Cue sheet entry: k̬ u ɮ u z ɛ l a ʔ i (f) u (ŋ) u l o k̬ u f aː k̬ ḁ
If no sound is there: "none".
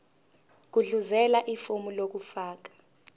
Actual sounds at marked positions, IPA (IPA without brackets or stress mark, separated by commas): f, m